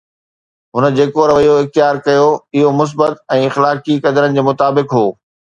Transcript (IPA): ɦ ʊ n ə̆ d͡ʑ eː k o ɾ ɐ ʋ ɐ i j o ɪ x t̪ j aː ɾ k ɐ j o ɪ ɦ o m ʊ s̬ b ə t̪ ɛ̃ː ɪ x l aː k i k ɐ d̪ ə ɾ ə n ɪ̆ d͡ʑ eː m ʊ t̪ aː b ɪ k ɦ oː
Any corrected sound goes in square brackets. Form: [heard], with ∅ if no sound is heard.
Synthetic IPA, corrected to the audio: ɦ ʊ n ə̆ d͡ʑ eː k o ɾ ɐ ʋ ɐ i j o ɪ x t̪ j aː ɾ k ɐ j o ɪ ɦ o m ʊ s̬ b ə t̪ ɛ̃ː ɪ x l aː k i k ɐ d̪ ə ɾ ə n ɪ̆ d͡ʑ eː m ʊ t̪ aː b ɪ k ɦ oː